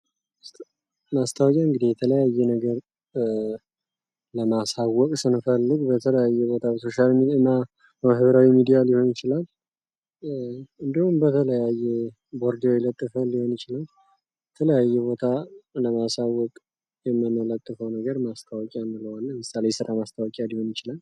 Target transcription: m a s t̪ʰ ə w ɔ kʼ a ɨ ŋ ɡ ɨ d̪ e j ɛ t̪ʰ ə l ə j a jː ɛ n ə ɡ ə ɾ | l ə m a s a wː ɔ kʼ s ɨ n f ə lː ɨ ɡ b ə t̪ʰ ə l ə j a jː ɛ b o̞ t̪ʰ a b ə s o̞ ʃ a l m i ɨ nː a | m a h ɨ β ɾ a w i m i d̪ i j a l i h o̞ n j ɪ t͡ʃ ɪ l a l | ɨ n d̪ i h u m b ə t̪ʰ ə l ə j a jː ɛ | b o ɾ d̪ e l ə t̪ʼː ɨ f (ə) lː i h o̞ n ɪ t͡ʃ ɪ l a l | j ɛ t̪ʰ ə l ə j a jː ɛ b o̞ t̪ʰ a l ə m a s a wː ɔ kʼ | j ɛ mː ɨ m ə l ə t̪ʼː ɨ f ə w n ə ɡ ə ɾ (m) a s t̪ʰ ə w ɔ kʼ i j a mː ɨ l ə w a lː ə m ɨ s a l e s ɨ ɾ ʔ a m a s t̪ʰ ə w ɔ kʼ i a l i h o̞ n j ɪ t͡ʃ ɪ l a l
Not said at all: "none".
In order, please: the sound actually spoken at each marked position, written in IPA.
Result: ə, m

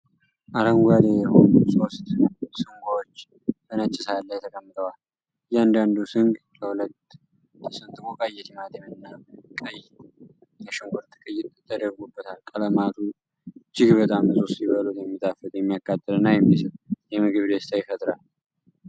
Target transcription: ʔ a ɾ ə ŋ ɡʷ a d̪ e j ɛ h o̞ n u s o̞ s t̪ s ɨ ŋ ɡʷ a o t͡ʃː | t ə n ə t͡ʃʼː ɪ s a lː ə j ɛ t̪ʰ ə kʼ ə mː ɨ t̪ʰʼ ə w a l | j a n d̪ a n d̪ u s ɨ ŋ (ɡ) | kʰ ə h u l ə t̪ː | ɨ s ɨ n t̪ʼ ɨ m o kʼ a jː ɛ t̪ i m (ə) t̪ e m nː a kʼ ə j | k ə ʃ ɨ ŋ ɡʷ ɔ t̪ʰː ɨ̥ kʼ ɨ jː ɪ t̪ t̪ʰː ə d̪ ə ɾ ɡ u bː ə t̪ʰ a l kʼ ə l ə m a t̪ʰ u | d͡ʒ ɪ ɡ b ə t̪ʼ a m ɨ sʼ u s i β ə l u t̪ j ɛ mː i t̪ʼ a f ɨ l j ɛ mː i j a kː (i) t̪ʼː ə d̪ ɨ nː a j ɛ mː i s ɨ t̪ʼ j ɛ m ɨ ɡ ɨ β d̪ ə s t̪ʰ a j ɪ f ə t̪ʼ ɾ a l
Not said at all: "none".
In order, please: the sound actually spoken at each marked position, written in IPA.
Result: ɡ, a, a

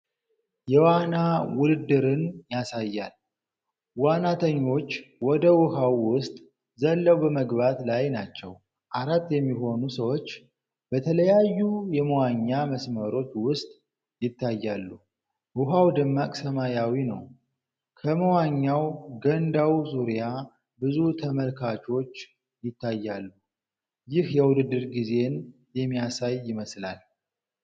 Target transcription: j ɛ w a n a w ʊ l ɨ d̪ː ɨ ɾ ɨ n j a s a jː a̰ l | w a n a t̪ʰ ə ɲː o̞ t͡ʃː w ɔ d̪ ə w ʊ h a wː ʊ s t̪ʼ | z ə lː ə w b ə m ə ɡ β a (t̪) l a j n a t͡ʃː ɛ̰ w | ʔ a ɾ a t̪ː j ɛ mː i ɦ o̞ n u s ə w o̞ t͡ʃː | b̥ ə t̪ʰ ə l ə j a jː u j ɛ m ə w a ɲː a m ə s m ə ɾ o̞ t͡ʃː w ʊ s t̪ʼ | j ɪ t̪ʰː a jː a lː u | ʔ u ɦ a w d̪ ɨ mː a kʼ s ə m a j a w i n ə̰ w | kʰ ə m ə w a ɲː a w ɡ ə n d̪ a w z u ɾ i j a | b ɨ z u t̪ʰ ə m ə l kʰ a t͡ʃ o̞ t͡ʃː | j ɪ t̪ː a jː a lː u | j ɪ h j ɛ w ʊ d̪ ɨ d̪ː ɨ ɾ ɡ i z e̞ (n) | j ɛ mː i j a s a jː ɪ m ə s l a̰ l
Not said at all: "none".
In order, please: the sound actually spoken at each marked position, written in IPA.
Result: t̪, n

